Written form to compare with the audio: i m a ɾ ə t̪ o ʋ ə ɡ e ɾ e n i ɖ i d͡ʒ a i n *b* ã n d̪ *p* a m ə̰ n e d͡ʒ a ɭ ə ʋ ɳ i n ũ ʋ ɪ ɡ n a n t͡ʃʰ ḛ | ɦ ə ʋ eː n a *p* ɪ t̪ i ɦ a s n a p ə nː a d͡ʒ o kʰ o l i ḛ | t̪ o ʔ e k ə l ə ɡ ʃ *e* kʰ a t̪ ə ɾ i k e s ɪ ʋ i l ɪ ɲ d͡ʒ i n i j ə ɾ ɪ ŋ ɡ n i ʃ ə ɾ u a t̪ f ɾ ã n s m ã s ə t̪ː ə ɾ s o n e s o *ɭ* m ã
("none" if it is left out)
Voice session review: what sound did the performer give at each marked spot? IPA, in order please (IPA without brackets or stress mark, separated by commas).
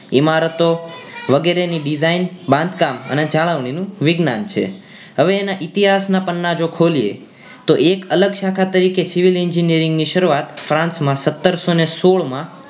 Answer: b, k, ʔ, a, ɭ